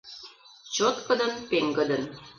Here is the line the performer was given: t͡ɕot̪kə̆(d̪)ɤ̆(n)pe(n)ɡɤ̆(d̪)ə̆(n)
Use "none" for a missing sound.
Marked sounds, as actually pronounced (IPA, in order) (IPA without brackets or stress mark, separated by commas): d̪, n, ŋ, d̪, n